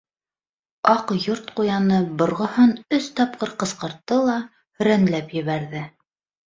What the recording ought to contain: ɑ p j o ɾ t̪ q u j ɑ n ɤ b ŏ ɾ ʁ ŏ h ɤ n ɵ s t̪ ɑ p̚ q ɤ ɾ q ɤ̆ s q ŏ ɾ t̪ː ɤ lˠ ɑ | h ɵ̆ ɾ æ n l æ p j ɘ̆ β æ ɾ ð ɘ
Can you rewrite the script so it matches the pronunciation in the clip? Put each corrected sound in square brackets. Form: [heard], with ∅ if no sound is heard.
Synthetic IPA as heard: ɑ [q] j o ɾ t̪ q u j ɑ n ɤ b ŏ ɾ ʁ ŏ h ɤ n ɵ s t̪ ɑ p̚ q ɤ ɾ q ɤ̆ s q [ɤ̆] ɾ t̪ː ɤ lˠ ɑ | h ɵ̆ ɾ æ n l æ p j ɘ̆ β æ ɾ ð ɘ